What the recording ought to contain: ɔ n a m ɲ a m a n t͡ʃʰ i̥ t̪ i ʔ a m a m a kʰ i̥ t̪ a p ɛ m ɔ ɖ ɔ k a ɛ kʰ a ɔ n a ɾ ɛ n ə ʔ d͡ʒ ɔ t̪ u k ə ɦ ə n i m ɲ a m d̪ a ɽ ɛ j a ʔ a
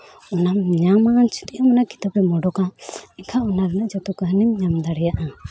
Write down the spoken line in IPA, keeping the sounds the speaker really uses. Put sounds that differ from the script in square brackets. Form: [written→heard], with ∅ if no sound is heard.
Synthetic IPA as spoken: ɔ n a m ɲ a m a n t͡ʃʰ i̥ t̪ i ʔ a m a [m→n] a [kʰ→k] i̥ t̪ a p ɛ m ɔ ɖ ɔ k a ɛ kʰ a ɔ n a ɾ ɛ n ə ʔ d͡ʒ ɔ t̪ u k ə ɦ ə n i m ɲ a m d̪ a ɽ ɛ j a ʔ a